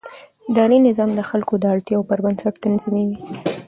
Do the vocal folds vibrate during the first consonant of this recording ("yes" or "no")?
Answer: yes